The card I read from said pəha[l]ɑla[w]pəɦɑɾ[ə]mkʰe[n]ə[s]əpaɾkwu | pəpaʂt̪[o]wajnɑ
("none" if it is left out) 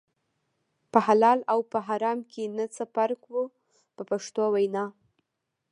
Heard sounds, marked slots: l, w, ɑ, n, t͡s, o

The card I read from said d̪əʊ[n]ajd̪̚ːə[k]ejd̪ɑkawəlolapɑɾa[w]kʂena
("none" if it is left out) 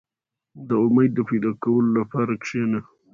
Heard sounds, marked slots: m, p, none

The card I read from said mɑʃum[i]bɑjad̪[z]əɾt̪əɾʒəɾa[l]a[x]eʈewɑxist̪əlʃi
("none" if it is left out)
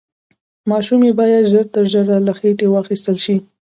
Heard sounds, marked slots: e, ʒ, l, x

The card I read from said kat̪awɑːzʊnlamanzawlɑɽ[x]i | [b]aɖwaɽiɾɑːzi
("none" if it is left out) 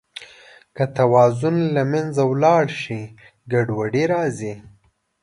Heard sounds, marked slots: ʃ, ɡ

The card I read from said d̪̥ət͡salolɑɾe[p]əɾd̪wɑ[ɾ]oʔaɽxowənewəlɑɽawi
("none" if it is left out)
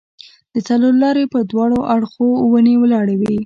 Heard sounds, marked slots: p, ɽ

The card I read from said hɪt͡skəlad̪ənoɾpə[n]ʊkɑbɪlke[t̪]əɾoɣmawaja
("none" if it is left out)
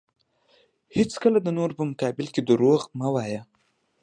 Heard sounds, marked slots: m, d̪

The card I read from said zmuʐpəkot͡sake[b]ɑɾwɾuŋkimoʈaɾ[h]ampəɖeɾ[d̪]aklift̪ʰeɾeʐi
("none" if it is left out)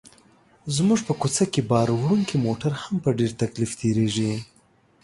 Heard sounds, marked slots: b, h, t̪

